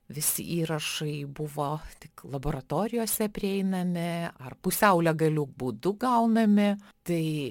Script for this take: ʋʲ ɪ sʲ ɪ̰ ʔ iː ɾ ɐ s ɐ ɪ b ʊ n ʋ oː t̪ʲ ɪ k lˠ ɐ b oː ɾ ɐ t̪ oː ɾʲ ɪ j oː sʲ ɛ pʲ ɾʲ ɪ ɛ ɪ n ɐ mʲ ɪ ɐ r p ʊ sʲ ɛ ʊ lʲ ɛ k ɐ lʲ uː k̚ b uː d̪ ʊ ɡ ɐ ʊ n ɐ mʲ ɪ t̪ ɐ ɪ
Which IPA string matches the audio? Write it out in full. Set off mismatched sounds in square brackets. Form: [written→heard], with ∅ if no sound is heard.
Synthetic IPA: ʋʲ ɪ sʲ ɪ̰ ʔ iː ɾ ɐ [s→ʃ] ɐ ɪ b ʊ [n→∅] ʋ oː t̪ʲ ɪ k lˠ ɐ b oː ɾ ɐ t̪ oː ɾʲ ɪ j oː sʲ ɛ pʲ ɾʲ ɪ ɛ ɪ n ɐ mʲ ɪ ɐ r p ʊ sʲ ɛ ʊ lʲ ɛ [k→ɡ] ɐ lʲ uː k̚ b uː d̪ ʊ ɡ ɐ ʊ n ɐ mʲ ɪ t̪ ɐ ɪ

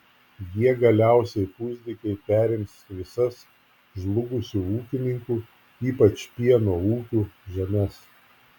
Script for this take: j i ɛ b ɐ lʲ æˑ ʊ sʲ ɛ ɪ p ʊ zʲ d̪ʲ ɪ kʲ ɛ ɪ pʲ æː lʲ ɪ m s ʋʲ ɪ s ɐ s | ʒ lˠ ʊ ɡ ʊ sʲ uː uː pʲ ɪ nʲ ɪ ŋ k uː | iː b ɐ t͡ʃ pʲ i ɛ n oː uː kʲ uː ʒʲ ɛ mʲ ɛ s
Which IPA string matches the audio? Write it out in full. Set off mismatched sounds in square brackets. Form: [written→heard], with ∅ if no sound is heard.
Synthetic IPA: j i ɛ [b→ɡ] ɐ lʲ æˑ ʊ sʲ ɛ ɪ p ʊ zʲ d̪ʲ ɪ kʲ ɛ ɪ pʲ æː [lʲ→ɾʲ] ɪ m s ʋʲ ɪ s ɐ s | ʒ lˠ ʊ ɡ ʊ sʲ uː uː [pʲ→kʲ] ɪ nʲ ɪ ŋ k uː | iː [b→p] ɐ t͡ʃ pʲ i ɛ n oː uː kʲ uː ʒʲ ɛ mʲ ɛ s

